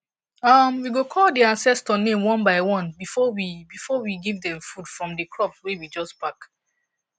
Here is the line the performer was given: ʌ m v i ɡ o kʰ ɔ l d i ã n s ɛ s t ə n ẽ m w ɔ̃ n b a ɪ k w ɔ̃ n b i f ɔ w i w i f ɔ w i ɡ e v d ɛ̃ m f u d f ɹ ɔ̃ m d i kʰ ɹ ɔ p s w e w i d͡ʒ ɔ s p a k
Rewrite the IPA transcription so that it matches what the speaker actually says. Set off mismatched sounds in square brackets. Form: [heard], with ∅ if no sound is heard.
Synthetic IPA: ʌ m [w] i ɡ o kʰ ɔ l d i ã n s ɛ s t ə n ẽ m w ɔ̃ n b a ɪ [∅] w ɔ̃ n b i f ɔ w i [b] i f ɔ w i ɡ [i] v d ɛ̃ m f u d f ɹ ɔ̃ m d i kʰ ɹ ɔ p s w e w i d͡ʒ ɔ s p a k